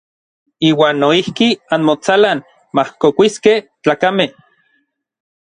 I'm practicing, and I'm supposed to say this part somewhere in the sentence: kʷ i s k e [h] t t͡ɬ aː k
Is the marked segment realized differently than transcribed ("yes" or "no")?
no